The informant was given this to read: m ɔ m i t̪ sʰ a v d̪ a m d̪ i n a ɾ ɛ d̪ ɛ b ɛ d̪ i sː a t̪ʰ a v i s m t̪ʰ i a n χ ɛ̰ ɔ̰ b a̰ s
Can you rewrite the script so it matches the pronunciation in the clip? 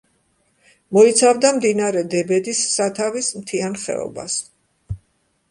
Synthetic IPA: m ɔ i t̪ sʰ a v d̪ a m d̪ i n a ɾ ɛ d̪ ɛ b ɛ d̪ i sː a t̪ʰ a v i s m t̪ʰ i a n χ ɛ̰ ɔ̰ b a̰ s